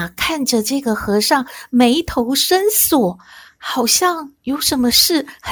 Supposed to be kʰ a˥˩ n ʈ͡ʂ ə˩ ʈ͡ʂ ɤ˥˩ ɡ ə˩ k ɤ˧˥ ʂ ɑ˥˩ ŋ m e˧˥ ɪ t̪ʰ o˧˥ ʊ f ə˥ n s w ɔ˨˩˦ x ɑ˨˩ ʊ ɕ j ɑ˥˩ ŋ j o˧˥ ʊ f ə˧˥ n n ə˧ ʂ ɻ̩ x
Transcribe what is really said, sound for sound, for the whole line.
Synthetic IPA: kʰ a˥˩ n ʈ͡ʂ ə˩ ʈ͡ʂ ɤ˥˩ ɡ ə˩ x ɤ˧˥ ʂ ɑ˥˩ ŋ m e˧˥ ɪ t̪ʰ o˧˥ ʊ ʂ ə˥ n s w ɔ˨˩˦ x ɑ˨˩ ʊ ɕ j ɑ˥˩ ŋ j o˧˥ ʊ ʂ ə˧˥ n m ə˧ ʂ ɻ̩ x